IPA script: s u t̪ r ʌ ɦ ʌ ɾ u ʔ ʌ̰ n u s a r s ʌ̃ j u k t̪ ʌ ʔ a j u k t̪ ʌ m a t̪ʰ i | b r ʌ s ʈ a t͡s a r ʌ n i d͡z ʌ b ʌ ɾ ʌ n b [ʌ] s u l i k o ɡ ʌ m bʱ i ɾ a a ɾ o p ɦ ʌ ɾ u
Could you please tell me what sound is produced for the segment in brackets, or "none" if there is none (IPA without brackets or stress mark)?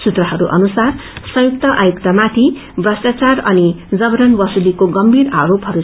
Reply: ʌ